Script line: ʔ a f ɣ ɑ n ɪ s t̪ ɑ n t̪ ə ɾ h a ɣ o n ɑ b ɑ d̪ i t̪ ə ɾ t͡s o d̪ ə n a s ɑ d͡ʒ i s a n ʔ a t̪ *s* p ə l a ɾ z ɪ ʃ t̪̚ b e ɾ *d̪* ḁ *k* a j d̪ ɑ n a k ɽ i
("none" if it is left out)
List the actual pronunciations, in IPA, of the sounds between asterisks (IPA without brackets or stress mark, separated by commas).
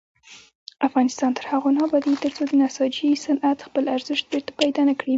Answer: x, t̪, p